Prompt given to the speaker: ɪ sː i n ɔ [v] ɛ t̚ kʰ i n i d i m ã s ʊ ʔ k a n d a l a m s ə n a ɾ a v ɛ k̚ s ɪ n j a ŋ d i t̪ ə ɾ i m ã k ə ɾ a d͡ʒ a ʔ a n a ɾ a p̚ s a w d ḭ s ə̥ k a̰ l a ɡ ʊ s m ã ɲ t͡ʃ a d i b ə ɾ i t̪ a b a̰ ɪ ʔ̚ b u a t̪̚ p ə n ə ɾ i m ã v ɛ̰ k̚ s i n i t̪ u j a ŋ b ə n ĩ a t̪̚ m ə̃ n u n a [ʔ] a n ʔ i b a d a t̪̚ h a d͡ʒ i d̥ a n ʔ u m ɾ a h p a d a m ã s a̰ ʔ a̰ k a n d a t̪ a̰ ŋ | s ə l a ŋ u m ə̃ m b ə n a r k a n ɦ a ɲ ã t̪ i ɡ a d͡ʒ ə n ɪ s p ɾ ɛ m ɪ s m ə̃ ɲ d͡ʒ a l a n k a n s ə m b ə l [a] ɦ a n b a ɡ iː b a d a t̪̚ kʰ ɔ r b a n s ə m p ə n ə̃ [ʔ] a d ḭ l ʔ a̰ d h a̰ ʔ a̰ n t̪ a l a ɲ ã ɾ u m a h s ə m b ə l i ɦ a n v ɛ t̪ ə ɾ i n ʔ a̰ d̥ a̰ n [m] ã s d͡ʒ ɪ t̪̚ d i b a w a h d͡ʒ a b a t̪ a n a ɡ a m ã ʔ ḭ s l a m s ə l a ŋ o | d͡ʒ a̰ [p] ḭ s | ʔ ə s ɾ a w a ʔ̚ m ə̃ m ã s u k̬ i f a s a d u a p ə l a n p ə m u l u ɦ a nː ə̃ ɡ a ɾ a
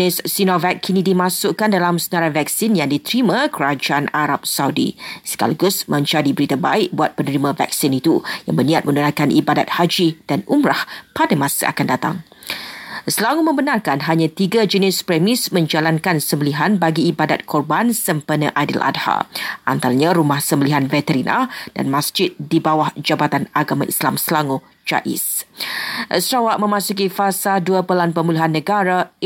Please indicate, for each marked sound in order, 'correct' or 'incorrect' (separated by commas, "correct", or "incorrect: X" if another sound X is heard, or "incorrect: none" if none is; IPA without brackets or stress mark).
correct, incorrect: k, incorrect: i, correct, correct, incorrect: ʔ